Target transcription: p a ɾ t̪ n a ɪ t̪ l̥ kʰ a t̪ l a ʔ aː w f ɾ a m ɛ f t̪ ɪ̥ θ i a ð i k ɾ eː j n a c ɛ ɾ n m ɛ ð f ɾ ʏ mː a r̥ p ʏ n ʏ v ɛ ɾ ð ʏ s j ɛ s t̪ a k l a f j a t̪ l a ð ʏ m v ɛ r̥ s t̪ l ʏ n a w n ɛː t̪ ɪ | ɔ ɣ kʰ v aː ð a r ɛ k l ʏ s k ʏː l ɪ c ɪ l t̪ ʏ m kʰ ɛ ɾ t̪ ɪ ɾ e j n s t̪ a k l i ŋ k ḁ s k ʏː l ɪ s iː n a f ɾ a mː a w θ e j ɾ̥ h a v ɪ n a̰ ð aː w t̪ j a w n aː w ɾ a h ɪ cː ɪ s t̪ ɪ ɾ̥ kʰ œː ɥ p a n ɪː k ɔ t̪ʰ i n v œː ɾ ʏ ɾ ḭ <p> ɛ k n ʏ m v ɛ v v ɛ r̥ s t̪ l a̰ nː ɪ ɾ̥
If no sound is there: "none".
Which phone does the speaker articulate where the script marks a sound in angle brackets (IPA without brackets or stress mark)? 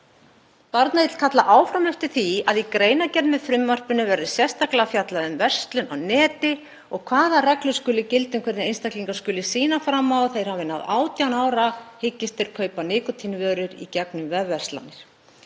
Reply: c